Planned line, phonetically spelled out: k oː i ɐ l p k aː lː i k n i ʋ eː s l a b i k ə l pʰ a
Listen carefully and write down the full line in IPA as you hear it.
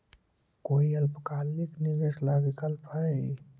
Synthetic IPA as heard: k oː i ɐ l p k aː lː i k n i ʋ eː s l a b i k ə l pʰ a